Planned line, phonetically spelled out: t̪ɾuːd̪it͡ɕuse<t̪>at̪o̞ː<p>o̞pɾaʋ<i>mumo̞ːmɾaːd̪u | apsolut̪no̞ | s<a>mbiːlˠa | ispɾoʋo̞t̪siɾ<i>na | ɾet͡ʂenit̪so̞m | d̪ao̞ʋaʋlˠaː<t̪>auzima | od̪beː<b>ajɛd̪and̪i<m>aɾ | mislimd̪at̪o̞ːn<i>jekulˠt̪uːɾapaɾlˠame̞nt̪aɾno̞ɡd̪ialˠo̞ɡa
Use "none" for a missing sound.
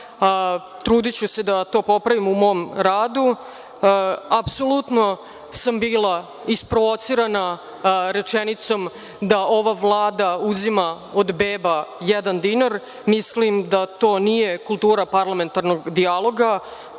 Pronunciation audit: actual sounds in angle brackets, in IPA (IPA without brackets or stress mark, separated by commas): d̪, p, i, a, a, d̪, b, n, i